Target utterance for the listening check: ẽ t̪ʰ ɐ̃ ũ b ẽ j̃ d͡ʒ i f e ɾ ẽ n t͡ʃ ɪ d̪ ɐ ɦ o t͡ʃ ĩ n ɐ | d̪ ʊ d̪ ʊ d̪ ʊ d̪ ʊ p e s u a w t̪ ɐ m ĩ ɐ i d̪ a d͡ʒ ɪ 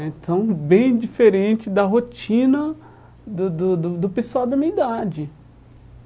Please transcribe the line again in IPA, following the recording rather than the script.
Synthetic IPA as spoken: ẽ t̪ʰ ɐ̃ w̃ b ẽ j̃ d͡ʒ i f e ɾ ẽ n t͡ʃ ɪ d̪ ɐ ɦ o t͡ʃ ĩ n ɐ | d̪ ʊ d̪ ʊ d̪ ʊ d̪ ʊ p e s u a w d̪ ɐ m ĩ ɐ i d̪ a d͡ʒ ɪ